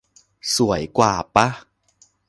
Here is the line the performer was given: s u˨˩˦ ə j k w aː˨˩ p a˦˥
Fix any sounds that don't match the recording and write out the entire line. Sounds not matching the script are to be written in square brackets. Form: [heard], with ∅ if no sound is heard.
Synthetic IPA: s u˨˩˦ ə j k w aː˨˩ p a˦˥